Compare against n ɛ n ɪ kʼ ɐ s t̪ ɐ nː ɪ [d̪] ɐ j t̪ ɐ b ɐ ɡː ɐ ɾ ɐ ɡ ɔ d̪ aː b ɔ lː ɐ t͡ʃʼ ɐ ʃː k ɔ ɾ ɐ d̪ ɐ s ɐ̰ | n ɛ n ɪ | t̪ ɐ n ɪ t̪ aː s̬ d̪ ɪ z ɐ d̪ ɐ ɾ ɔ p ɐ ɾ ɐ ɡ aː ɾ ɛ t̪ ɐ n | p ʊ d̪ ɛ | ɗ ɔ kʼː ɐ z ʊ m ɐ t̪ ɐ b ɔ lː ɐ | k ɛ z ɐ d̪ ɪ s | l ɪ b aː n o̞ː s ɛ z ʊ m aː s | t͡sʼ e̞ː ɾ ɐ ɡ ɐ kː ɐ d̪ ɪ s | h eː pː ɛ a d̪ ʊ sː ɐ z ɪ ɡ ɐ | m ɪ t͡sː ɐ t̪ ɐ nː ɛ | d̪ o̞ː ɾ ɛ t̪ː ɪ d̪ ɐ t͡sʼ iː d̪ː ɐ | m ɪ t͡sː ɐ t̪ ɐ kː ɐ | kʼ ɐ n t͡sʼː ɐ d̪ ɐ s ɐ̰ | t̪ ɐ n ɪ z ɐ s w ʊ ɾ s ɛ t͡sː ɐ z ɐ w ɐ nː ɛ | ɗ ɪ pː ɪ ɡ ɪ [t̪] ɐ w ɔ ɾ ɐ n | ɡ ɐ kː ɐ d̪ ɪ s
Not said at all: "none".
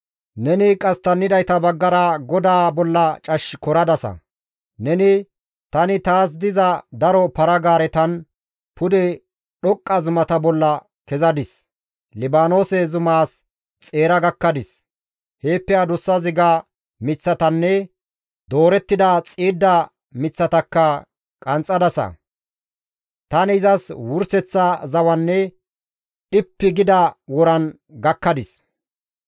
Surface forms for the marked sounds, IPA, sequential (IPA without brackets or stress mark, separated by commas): d̪, d̪